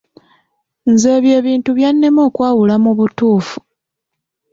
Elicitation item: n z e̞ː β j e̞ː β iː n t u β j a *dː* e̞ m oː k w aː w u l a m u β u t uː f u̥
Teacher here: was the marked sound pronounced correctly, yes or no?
no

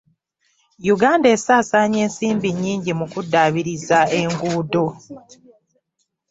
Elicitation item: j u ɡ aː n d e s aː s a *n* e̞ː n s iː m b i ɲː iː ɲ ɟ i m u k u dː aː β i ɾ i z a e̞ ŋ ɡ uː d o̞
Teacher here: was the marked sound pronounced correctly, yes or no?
no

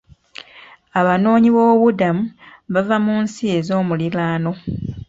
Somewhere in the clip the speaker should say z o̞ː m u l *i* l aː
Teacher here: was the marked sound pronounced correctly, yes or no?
yes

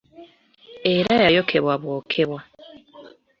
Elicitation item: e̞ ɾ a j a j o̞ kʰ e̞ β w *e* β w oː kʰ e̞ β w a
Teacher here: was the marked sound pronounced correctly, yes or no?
no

